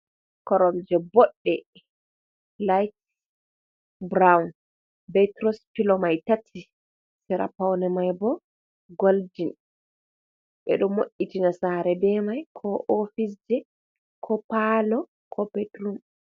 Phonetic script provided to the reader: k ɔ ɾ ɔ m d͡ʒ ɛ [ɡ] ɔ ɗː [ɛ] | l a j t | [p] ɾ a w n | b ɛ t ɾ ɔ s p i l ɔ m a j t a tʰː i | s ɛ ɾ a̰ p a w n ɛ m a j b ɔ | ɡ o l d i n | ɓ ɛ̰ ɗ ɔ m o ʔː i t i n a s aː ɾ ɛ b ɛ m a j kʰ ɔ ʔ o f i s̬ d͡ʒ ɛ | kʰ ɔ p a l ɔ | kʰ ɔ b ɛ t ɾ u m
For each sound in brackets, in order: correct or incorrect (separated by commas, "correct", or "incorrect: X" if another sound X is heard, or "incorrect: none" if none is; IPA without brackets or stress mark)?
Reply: incorrect: b, correct, incorrect: b